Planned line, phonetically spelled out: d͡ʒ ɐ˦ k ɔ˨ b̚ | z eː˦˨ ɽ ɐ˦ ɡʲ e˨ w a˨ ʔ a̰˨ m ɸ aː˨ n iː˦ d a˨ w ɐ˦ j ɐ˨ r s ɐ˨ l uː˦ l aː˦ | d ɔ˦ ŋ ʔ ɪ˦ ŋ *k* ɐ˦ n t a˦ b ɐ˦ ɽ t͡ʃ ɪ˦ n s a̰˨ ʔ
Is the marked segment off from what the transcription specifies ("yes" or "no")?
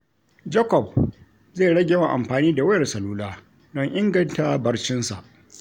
yes